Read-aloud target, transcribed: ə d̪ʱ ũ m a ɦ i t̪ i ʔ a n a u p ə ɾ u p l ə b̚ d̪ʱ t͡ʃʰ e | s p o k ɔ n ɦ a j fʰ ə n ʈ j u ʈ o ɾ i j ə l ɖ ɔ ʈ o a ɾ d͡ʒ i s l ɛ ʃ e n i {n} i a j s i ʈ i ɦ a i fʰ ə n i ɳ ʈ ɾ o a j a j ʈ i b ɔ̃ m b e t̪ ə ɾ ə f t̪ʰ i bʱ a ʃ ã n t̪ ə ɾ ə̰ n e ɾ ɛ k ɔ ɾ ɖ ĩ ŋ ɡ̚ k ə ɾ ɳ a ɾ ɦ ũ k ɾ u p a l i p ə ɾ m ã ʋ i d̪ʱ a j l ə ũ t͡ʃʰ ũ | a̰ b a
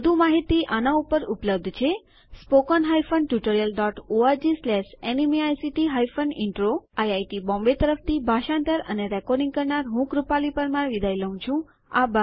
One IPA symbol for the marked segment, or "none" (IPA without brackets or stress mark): m